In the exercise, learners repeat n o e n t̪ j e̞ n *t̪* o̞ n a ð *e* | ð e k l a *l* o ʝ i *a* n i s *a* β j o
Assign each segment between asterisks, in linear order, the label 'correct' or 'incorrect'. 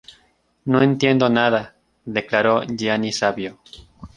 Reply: incorrect: d̪, incorrect: a, incorrect: ɾ, correct, correct

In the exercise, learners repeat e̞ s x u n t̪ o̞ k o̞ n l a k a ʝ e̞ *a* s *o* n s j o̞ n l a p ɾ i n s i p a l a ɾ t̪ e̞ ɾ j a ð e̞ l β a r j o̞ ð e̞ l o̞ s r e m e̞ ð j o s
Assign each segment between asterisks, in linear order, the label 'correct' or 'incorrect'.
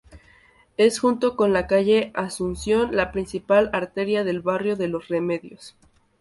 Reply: correct, incorrect: u

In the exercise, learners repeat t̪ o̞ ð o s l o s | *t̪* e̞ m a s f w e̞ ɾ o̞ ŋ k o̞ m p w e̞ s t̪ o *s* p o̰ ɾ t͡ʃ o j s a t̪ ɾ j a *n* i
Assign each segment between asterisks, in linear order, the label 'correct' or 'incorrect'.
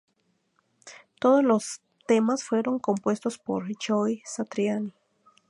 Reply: correct, correct, correct

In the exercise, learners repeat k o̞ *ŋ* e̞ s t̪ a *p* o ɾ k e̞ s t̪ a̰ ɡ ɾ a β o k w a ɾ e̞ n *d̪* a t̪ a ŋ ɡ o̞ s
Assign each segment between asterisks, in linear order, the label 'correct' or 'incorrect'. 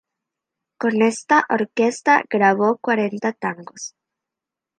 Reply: incorrect: n, incorrect: ʔ, incorrect: t̪

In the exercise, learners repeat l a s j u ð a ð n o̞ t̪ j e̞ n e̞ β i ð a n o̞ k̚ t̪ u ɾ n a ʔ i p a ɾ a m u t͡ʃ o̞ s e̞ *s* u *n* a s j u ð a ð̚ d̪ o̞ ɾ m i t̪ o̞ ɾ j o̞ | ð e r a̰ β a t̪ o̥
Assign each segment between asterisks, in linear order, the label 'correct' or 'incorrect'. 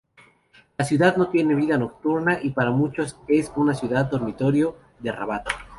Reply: correct, correct

